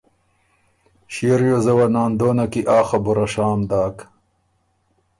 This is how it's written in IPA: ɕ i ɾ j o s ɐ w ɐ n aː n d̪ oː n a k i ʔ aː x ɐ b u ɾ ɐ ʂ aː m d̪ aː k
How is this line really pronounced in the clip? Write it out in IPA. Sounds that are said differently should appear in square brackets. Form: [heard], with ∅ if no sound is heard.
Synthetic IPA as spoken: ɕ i ɾ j o [z] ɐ w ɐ n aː n d̪ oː n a k i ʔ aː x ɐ b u ɾ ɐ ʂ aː m d̪ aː k